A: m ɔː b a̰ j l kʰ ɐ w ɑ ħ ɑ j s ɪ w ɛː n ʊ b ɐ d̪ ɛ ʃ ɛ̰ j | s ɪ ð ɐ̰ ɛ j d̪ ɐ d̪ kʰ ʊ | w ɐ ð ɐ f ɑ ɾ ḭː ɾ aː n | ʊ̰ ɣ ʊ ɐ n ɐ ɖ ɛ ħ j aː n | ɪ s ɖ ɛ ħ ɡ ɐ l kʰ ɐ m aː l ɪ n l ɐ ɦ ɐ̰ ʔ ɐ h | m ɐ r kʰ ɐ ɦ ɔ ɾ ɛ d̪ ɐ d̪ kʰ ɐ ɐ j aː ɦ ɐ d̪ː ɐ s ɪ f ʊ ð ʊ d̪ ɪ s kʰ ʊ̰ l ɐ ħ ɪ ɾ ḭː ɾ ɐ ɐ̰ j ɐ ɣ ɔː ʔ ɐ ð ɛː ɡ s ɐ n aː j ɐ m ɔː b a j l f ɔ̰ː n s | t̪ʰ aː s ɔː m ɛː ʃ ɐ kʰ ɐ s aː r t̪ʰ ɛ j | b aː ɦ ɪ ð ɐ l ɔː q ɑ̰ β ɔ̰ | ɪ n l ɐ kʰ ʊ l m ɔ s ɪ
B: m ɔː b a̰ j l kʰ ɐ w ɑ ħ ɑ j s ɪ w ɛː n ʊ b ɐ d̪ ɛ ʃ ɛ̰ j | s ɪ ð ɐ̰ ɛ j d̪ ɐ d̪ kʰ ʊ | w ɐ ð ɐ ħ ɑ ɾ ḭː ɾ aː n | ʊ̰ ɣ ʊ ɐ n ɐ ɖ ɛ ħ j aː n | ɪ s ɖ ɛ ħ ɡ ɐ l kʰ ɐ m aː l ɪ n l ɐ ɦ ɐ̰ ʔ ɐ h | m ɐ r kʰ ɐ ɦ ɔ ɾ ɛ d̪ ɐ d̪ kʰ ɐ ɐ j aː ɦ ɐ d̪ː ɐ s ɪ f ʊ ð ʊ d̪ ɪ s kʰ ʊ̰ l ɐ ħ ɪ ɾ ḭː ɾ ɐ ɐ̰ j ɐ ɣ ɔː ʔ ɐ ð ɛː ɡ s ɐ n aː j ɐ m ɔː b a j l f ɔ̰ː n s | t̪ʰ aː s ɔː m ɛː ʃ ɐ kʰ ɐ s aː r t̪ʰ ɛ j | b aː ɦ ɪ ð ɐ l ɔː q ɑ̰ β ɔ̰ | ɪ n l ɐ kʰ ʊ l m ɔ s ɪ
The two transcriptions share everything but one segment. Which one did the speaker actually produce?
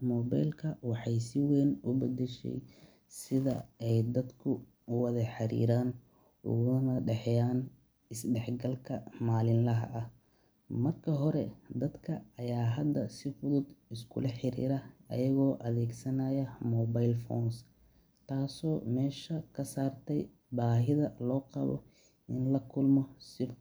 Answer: B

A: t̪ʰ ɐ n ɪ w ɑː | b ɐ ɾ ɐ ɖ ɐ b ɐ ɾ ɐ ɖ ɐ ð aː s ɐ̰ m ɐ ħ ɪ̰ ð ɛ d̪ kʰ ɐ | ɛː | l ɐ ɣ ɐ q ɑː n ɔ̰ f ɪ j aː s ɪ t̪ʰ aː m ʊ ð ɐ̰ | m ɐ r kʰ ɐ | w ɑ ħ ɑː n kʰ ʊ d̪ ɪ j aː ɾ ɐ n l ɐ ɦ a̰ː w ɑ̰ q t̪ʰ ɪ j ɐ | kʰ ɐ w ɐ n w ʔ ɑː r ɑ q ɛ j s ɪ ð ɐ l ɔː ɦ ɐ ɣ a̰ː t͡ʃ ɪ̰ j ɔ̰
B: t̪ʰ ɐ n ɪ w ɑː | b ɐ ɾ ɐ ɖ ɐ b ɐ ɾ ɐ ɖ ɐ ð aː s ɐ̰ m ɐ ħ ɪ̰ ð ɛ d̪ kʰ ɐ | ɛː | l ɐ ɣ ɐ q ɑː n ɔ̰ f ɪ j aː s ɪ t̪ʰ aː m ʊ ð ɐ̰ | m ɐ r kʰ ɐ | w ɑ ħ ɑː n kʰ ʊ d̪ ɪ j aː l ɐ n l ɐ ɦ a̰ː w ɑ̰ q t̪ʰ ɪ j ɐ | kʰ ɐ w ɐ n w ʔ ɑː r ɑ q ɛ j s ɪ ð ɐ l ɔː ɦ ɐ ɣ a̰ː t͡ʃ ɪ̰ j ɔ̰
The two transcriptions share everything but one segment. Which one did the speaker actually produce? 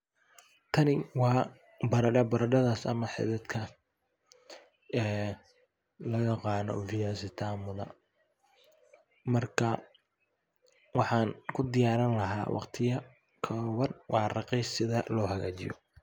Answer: A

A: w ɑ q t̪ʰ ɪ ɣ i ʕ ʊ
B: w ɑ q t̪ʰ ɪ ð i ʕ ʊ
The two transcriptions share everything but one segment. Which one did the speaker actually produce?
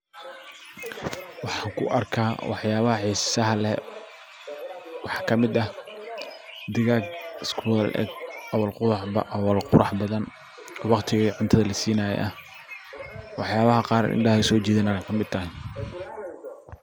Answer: A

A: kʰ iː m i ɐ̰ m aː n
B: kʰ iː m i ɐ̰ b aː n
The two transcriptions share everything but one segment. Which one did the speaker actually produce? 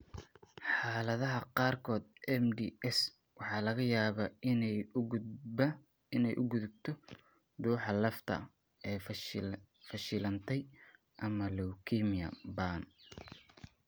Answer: B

